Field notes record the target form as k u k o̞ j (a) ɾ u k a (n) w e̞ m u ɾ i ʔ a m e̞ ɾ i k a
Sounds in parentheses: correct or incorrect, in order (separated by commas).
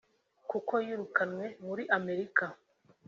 incorrect, correct